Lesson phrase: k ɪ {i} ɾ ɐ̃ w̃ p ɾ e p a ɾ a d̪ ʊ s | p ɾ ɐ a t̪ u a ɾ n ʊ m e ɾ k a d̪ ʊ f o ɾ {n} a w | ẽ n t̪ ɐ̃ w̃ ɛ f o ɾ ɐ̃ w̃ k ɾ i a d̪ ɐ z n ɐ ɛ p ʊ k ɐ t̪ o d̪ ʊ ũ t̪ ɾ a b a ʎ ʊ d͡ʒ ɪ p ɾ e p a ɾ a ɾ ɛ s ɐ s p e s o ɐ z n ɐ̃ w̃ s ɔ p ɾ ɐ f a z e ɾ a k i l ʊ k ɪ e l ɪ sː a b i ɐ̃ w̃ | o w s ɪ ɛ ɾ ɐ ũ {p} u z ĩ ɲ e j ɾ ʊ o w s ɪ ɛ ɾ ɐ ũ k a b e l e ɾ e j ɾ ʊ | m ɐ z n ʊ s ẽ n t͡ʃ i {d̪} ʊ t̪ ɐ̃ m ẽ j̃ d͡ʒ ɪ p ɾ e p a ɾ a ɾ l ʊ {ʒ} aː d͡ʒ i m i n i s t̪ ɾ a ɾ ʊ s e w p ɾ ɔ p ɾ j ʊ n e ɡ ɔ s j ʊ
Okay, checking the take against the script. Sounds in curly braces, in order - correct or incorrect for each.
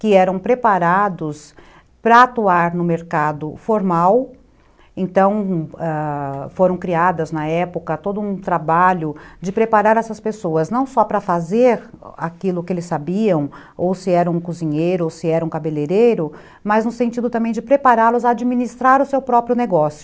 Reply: incorrect: ɛ, incorrect: m, incorrect: k, correct, incorrect: z

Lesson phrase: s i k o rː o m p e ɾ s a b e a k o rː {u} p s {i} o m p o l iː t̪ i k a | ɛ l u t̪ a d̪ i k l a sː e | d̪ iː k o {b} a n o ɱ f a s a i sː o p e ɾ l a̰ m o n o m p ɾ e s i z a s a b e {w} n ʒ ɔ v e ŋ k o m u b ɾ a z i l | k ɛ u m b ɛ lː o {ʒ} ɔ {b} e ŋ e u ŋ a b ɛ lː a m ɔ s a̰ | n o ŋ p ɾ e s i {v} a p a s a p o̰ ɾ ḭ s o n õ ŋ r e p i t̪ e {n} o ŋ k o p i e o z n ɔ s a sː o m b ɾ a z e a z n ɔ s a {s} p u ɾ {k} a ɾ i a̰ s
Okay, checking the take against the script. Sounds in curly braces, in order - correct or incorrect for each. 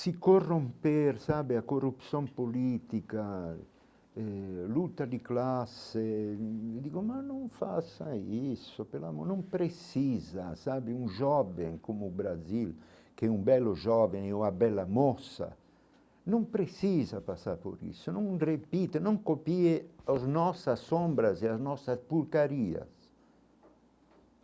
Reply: correct, incorrect: j, incorrect: m, incorrect: u, correct, incorrect: v, incorrect: z, correct, correct, correct

